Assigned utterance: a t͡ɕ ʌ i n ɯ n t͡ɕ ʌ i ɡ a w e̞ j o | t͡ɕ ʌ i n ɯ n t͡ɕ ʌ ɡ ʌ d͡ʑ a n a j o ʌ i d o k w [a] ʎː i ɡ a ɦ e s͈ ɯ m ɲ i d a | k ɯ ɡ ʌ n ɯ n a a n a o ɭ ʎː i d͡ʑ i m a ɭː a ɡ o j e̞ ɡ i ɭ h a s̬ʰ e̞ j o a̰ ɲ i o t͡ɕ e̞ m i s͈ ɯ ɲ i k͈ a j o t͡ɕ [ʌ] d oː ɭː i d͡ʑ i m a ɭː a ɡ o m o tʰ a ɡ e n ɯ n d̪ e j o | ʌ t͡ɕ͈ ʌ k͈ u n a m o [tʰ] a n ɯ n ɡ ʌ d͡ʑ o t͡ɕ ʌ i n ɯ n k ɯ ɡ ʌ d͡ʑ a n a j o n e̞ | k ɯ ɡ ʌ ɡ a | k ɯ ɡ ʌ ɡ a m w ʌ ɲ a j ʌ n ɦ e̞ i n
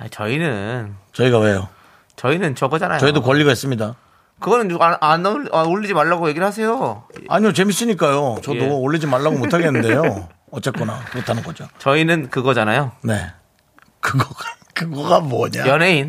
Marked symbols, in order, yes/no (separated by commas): no, yes, yes